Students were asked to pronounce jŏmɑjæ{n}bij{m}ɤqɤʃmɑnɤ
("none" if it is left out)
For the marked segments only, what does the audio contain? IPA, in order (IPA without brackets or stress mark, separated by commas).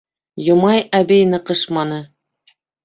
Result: none, n